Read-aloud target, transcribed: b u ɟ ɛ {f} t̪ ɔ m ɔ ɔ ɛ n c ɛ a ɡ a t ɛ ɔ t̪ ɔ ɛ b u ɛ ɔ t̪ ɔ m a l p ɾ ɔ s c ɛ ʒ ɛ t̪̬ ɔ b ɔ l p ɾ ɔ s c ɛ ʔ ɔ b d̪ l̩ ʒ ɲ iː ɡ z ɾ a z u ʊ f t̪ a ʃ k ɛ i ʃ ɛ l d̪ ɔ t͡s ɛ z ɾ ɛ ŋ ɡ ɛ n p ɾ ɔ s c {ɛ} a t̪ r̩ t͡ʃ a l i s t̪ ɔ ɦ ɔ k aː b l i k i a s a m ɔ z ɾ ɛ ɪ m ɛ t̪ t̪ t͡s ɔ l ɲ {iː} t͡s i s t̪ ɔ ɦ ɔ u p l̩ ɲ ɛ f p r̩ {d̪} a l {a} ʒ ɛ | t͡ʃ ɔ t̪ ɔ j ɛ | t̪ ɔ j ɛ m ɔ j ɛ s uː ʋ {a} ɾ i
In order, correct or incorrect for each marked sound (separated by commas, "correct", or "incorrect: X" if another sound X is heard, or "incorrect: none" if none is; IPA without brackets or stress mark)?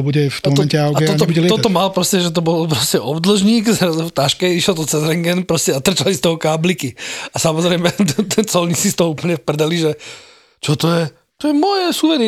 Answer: correct, correct, incorrect: i, correct, incorrect: i, incorrect: ɛ